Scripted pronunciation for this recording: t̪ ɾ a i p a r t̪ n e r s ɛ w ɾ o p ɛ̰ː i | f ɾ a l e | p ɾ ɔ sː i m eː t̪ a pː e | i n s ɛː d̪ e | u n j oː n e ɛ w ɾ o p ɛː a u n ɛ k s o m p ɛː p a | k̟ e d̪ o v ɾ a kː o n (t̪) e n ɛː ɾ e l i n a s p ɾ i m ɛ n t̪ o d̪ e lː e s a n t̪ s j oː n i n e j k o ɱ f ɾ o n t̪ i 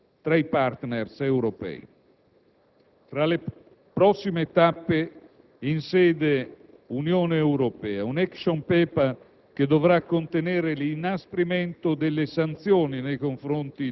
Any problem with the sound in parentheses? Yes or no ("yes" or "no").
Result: no